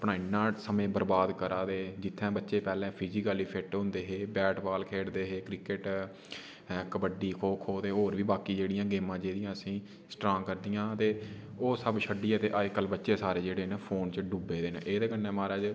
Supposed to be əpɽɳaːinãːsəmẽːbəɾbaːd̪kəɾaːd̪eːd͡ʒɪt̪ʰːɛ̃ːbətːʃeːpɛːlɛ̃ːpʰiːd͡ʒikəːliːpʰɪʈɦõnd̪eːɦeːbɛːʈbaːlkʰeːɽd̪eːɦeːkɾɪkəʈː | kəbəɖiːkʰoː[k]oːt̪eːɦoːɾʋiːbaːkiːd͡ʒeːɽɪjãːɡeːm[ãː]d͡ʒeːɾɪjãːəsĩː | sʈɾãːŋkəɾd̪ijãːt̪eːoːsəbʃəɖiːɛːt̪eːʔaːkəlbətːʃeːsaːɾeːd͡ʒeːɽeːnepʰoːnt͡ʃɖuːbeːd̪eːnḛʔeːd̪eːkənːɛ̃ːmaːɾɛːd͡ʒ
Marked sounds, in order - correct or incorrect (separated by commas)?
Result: incorrect, correct